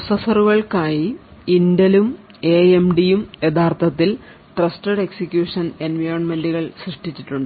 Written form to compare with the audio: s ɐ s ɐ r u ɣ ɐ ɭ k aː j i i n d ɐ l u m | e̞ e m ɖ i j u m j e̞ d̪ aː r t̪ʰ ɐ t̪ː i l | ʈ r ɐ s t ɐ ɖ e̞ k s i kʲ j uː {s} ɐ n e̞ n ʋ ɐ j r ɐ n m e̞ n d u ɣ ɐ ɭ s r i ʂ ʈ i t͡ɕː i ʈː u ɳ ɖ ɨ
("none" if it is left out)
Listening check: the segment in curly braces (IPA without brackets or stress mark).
ʂ